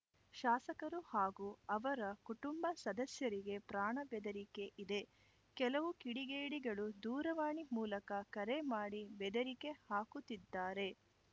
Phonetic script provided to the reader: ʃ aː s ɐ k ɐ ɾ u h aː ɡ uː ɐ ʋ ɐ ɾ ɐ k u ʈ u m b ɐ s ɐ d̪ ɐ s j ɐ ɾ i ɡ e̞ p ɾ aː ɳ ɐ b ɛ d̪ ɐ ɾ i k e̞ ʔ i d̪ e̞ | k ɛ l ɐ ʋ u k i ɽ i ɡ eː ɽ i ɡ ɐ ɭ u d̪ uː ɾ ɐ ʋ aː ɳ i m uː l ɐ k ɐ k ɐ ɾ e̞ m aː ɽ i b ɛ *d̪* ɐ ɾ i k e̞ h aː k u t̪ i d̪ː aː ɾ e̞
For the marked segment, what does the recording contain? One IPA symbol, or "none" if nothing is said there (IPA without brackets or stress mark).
d̪